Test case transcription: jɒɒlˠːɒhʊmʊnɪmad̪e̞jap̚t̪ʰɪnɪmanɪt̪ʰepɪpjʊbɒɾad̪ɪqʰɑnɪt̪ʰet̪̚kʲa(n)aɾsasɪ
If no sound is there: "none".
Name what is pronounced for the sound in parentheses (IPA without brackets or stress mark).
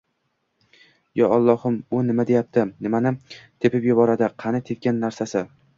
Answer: nː